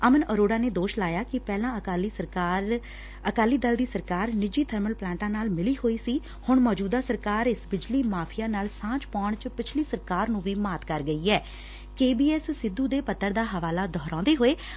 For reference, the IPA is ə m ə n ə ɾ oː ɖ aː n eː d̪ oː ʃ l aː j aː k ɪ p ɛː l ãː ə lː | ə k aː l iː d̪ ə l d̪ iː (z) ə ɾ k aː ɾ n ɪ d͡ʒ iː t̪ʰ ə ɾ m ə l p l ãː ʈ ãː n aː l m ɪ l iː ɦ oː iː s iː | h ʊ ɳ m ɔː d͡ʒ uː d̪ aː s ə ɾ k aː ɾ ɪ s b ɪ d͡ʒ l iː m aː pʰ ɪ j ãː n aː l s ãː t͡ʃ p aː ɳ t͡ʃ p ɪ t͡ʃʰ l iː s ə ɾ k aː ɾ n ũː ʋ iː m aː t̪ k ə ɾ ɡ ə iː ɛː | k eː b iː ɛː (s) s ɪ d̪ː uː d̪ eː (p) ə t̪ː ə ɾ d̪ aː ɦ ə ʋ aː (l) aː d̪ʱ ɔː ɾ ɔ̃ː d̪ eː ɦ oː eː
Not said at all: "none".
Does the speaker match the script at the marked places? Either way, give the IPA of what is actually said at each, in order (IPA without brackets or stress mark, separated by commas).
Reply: s, s, p, l